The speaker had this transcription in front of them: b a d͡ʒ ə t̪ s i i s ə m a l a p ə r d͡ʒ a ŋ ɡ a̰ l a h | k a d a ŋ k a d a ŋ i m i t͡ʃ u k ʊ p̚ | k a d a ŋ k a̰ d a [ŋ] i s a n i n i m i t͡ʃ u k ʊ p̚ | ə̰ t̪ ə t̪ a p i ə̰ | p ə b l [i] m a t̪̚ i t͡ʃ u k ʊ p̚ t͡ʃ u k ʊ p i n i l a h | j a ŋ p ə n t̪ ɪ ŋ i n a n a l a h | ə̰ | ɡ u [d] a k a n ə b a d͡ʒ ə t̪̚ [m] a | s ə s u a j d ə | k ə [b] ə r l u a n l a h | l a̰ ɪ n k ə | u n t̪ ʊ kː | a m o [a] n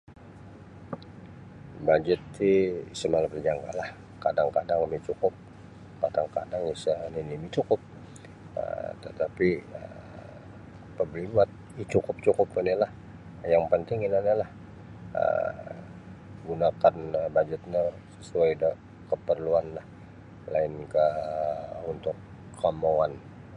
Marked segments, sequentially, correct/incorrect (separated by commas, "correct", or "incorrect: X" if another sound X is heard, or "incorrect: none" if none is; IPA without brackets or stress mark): correct, correct, incorrect: n, incorrect: ɲ, incorrect: p, correct